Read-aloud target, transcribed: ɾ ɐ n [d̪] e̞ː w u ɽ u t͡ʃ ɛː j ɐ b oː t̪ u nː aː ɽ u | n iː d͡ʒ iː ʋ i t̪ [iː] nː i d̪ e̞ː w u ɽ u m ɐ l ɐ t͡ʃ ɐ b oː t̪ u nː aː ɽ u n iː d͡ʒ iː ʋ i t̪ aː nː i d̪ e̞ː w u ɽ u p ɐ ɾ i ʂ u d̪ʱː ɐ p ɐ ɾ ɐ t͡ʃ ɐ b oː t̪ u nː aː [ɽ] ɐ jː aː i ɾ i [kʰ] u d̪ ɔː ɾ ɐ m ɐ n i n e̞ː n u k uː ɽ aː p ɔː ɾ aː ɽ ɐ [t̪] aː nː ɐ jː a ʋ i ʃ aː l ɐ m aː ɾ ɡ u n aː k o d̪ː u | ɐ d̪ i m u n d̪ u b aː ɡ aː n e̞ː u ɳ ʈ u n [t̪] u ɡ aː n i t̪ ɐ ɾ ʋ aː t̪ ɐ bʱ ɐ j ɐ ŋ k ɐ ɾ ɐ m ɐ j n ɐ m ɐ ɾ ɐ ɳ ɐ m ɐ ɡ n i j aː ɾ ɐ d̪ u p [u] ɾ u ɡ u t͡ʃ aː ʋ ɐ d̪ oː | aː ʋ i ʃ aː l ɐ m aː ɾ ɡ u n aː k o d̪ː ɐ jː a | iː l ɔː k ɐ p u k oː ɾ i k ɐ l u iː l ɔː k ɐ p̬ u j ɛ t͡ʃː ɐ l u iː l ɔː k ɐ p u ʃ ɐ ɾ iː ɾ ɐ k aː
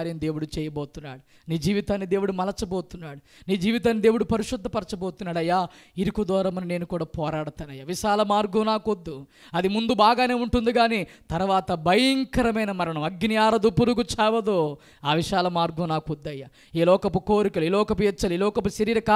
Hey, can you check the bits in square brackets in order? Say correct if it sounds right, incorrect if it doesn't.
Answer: correct, incorrect: aː, correct, incorrect: k, correct, incorrect: d̪, correct

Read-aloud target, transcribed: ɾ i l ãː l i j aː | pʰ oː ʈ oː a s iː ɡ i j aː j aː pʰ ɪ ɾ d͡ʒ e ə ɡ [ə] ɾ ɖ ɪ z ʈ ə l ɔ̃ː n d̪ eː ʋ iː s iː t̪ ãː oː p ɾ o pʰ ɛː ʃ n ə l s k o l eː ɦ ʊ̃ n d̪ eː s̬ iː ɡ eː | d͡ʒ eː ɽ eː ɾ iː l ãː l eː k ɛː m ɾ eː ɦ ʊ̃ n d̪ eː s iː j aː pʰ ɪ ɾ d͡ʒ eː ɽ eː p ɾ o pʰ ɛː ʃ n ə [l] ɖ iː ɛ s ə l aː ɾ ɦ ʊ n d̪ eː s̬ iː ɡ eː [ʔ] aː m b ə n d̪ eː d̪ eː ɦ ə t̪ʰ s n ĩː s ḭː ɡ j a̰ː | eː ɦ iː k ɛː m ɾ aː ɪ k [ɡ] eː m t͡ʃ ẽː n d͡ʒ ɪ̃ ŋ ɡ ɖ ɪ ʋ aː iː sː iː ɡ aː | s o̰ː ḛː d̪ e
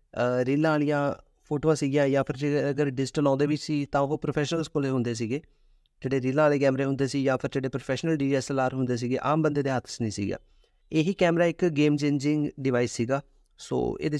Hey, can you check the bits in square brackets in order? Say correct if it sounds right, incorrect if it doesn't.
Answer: correct, correct, correct, correct

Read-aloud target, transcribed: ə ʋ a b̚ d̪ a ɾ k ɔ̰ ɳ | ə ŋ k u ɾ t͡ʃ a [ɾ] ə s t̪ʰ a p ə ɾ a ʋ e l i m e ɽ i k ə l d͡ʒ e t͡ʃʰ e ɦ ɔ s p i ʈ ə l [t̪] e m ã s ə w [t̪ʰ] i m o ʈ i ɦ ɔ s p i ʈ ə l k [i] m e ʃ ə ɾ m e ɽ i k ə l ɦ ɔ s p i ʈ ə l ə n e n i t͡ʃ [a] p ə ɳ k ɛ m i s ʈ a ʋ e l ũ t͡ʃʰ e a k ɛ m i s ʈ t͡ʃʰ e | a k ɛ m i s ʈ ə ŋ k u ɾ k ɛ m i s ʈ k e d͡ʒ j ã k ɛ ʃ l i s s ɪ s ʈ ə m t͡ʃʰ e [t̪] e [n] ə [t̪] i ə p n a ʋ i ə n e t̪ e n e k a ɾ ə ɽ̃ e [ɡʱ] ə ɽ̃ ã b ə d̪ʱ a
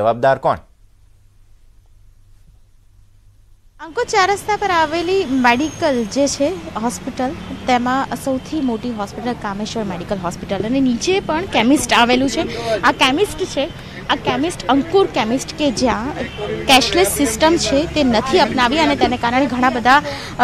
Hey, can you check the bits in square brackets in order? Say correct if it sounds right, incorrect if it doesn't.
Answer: correct, correct, correct, incorrect: a, incorrect: e, correct, correct, incorrect: t̪ʰ, correct

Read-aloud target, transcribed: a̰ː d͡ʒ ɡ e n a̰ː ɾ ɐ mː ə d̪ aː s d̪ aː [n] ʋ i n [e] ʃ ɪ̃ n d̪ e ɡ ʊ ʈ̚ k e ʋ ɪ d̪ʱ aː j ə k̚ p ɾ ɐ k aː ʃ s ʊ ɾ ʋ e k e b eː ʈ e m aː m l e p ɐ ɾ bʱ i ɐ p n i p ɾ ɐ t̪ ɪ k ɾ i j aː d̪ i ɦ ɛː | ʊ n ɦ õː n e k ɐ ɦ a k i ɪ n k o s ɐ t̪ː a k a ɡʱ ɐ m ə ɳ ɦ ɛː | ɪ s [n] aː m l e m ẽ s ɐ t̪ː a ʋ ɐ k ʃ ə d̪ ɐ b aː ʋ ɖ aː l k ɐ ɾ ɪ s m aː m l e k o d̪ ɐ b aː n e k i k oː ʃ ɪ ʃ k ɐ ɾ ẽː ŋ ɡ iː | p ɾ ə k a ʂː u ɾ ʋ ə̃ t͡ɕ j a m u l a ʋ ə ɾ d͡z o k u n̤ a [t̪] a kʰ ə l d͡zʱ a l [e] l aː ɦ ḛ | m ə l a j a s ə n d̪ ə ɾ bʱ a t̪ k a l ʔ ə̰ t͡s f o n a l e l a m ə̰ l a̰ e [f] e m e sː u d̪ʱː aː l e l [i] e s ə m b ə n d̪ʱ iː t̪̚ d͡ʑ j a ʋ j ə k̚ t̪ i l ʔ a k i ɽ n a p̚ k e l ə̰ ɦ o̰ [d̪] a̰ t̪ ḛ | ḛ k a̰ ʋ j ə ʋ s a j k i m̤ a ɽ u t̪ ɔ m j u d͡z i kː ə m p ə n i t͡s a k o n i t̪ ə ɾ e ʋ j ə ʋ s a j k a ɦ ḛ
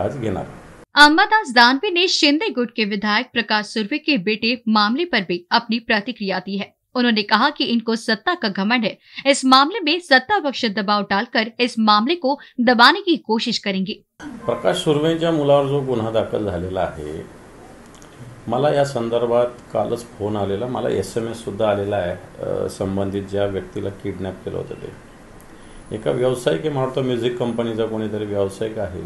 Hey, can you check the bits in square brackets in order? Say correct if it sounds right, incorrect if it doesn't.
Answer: correct, correct, incorrect: m, incorrect: d̪, correct, incorrect: s, incorrect: a, incorrect: t̪

